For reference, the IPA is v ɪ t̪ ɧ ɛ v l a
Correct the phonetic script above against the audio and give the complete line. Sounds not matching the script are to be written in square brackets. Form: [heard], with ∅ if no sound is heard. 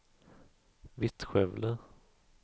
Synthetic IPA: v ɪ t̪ ɧ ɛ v l [ə]